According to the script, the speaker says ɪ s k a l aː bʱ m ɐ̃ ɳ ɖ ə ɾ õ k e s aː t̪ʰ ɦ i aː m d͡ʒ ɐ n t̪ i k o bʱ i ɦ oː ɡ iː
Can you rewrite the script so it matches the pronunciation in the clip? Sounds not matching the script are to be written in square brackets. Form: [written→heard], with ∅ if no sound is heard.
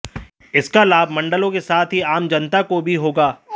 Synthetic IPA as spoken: ɪ s k a l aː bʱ m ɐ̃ ɳ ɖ ə [ɾ→l] õ k e s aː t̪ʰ ɦ i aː m d͡ʒ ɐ n t̪ [i→a] k o bʱ i ɦ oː ɡ [iː→aː]